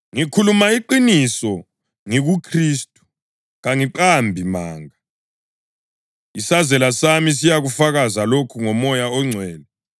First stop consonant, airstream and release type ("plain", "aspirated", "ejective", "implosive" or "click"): aspirated